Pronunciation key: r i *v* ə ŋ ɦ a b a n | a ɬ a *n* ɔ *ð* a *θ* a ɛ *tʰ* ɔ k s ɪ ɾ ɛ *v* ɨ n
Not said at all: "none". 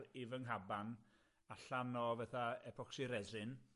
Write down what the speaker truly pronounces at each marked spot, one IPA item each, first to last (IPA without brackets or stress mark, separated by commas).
v, n, v, θ, pʰ, z